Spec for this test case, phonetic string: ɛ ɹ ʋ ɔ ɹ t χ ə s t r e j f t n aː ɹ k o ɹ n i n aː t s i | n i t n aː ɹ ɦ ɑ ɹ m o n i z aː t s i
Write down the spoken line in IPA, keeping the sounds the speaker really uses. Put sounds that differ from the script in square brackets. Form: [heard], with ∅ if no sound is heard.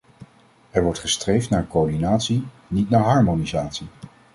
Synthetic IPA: ɛ ɹ ʋ ɔ ɹ t χ ə s t r e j f t n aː ɹ k o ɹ [d] i n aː t s i | n i t n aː ɹ ɦ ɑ ɹ m o n i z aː t s i